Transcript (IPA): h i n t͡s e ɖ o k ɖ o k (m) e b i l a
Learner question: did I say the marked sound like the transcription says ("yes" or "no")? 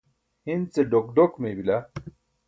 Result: yes